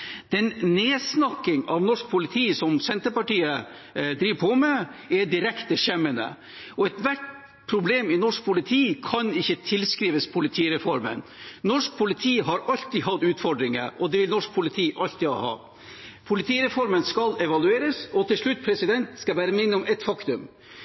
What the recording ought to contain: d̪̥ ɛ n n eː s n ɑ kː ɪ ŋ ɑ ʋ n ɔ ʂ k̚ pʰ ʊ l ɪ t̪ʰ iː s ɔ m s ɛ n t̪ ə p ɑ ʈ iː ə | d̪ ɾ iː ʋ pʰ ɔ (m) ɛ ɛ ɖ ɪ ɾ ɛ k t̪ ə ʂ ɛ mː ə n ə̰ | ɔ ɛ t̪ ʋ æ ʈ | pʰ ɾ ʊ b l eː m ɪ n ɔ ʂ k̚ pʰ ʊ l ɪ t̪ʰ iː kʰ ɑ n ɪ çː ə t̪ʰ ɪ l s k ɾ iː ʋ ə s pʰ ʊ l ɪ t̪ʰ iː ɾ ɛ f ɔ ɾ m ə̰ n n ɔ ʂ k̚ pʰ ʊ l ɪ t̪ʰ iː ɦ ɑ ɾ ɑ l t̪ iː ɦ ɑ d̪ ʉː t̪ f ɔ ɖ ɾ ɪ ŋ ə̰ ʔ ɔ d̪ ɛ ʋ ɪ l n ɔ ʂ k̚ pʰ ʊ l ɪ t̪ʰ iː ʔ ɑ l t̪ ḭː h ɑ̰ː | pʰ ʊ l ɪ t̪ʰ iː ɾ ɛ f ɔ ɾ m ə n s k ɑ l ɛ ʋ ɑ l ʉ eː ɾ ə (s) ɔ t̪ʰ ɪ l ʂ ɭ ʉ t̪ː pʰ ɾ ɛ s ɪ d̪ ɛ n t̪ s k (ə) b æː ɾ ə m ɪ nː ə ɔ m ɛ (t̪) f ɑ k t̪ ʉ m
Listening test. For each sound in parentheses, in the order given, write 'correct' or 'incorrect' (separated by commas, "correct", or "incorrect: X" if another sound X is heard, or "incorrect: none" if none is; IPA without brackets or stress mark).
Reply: correct, correct, incorrect: ɑ, correct